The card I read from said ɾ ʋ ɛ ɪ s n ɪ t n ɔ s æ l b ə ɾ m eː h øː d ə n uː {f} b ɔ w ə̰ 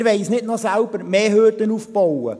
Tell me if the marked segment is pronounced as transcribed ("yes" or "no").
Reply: yes